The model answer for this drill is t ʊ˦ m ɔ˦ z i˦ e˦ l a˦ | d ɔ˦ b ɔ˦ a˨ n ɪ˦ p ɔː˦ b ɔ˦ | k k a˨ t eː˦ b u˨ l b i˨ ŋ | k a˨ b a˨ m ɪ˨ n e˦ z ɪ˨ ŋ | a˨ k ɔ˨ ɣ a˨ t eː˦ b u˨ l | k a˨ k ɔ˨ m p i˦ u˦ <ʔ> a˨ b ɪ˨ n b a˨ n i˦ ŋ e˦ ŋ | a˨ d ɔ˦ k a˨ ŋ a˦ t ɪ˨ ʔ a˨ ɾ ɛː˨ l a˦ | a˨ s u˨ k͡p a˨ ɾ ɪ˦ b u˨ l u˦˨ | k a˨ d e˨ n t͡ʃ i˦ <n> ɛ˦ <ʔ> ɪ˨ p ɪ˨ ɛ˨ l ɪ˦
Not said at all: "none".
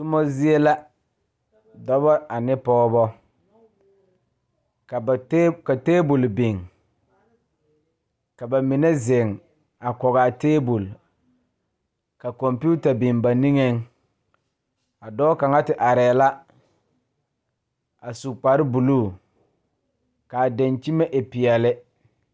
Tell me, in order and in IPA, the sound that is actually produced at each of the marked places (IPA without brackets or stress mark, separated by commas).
t, m, ʔ